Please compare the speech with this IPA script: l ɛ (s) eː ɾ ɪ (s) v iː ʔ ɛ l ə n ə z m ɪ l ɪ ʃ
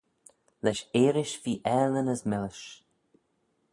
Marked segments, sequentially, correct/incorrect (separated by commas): incorrect, incorrect